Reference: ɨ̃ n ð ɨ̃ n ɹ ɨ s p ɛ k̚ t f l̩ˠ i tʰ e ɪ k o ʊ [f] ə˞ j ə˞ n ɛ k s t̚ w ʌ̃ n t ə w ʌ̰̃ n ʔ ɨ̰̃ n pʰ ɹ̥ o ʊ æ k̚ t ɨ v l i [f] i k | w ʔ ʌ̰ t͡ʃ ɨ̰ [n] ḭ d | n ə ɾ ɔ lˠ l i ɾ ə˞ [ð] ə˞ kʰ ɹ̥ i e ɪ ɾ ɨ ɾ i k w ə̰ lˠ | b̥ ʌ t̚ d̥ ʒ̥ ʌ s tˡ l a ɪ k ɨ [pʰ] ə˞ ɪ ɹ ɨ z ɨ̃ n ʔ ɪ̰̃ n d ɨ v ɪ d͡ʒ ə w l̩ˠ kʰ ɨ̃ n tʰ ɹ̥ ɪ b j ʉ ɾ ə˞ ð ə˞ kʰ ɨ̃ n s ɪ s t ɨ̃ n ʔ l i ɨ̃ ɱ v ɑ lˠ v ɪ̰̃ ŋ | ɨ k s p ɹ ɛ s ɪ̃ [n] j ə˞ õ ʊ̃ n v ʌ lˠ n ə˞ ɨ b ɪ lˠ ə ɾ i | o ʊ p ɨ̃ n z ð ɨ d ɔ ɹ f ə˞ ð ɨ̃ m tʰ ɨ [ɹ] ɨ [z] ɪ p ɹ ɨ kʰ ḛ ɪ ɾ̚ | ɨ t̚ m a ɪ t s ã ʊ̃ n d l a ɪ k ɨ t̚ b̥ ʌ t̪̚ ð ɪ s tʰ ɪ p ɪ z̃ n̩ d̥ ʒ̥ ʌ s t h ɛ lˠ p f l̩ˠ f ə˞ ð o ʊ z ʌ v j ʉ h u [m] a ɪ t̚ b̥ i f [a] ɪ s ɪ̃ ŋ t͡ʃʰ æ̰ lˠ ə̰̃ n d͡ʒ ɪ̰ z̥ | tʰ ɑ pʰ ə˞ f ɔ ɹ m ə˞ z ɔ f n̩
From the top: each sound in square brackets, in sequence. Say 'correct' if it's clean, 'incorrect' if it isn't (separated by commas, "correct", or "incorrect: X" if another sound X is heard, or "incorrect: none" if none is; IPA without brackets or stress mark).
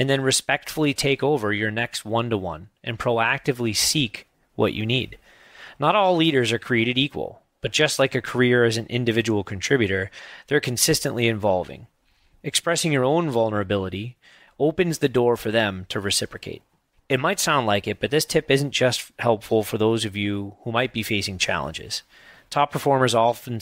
incorrect: v, incorrect: s, correct, incorrect: z, incorrect: kʰ, incorrect: ŋ, correct, incorrect: s, correct, incorrect: e